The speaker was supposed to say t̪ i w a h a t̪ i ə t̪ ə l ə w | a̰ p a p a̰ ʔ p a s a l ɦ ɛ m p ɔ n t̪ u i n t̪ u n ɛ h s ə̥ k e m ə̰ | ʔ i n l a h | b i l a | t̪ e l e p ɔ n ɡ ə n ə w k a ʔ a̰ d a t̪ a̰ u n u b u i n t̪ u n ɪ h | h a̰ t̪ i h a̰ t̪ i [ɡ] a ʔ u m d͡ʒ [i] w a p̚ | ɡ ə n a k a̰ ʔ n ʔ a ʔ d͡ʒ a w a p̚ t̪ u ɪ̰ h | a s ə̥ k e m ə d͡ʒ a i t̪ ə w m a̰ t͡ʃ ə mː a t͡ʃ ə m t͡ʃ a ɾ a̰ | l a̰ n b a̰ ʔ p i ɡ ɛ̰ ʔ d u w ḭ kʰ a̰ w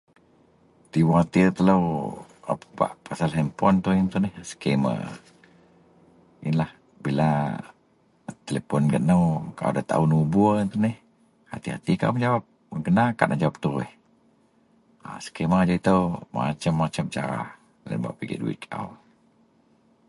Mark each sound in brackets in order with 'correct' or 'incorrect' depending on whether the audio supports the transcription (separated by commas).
incorrect, incorrect